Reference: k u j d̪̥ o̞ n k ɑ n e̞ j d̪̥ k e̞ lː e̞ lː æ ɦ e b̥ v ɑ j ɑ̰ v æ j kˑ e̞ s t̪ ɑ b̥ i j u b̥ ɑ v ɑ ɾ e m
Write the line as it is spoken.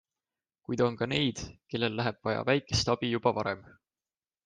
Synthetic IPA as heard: k u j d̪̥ o̞ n k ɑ n e̞ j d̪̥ k e̞ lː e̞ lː æ ɦ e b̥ v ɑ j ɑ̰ v æ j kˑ e̞ s t̪ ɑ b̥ i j u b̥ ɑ v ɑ ɾ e m